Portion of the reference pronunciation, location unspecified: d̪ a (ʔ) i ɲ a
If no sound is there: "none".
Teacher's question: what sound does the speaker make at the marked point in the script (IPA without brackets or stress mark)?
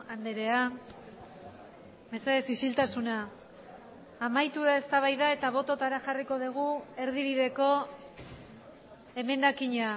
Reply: k